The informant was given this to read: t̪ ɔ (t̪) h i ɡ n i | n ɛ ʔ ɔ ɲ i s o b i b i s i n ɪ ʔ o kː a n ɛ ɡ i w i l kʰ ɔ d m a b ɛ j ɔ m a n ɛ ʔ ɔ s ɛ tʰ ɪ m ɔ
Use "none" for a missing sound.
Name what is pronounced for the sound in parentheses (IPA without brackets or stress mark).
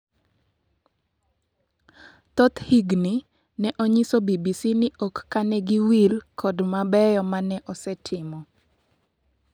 t̪